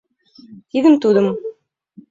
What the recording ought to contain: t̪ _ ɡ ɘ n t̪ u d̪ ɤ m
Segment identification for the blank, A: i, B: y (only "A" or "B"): A